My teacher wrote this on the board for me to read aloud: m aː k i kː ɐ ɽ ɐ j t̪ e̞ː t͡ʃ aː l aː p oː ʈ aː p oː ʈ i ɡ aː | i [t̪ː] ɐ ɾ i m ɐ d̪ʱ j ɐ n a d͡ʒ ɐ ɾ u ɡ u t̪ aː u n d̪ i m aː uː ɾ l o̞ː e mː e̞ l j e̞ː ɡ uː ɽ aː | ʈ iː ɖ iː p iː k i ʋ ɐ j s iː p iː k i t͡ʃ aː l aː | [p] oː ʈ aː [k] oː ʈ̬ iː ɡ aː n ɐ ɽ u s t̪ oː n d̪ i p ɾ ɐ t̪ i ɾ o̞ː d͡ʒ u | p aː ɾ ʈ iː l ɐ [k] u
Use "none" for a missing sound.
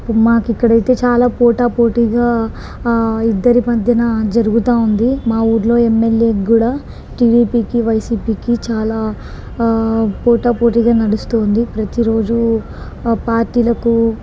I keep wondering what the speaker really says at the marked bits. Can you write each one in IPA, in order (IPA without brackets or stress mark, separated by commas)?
d̪ː, p, p, k